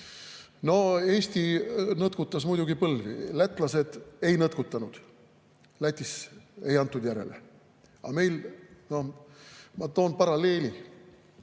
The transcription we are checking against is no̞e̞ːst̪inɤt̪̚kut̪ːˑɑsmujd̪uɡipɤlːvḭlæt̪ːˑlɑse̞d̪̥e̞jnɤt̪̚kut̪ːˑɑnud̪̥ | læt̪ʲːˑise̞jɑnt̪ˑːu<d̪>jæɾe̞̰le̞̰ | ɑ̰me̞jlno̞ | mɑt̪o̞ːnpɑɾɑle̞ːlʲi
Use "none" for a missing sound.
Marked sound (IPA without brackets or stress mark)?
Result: d̪